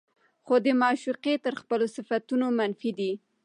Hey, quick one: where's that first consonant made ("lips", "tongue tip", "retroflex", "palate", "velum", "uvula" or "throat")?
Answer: velum